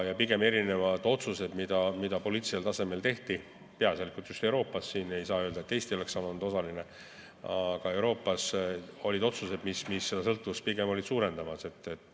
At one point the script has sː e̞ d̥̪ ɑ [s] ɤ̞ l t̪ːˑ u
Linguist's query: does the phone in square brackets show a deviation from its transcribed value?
no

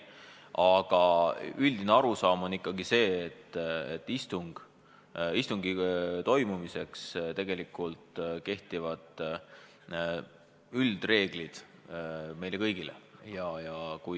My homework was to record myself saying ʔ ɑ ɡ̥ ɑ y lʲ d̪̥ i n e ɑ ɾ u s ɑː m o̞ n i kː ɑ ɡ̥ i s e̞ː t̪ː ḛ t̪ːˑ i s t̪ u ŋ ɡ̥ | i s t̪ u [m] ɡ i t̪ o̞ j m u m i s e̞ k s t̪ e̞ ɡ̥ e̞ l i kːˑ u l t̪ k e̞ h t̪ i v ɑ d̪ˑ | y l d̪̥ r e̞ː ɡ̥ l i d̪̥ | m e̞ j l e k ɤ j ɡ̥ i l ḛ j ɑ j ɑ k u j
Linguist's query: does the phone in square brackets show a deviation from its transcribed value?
yes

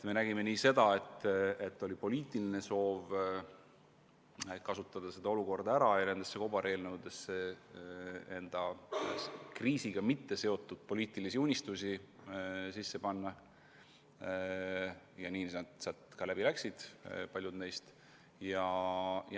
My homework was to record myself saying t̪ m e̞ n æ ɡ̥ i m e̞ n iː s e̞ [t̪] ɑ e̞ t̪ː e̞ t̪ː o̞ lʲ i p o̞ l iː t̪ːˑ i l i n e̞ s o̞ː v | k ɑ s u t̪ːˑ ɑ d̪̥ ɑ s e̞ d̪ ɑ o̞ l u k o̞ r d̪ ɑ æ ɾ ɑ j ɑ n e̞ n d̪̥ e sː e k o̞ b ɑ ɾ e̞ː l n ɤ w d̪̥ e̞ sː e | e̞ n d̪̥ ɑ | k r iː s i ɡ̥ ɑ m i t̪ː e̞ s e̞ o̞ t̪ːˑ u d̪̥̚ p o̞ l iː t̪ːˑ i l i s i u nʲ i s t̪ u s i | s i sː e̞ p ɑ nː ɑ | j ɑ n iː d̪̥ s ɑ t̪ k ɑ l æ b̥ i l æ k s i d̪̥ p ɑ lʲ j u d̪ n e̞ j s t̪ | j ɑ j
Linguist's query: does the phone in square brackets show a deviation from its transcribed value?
yes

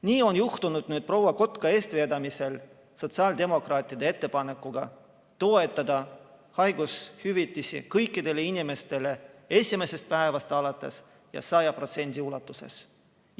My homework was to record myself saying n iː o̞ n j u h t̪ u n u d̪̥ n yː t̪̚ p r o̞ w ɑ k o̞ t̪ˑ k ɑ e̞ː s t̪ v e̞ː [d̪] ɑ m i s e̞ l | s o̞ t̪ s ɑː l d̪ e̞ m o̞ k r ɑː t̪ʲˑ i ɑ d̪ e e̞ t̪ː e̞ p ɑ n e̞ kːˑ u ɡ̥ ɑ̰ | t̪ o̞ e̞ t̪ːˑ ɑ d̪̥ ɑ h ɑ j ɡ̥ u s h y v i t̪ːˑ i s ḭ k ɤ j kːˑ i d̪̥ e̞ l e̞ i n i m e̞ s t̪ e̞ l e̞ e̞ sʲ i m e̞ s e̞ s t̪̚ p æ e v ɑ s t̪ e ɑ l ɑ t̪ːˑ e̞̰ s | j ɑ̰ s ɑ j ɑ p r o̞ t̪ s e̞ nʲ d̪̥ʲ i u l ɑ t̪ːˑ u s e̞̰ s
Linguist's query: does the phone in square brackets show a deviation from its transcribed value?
no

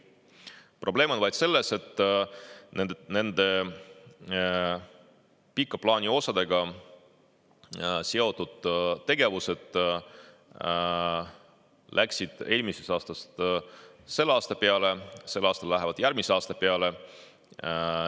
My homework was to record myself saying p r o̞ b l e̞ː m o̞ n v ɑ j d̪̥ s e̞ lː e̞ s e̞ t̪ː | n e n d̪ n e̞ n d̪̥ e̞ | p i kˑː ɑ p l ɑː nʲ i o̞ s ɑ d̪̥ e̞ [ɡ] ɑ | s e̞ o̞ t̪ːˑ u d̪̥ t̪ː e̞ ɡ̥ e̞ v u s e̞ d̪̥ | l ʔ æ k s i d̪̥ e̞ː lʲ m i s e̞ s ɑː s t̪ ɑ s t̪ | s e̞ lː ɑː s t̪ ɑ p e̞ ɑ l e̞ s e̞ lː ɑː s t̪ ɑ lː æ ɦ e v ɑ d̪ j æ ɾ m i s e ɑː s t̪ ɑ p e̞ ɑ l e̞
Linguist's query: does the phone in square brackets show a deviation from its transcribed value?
no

